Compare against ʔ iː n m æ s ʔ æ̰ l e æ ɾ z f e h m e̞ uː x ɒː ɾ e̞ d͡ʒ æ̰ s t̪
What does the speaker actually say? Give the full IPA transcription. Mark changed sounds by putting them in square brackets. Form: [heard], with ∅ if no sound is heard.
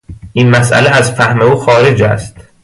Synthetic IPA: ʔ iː n m æ s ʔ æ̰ l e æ [∅] z f [æ] h m e̞ uː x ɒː ɾ e̞ d͡ʒ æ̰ s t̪